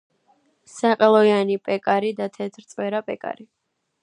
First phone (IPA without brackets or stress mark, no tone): s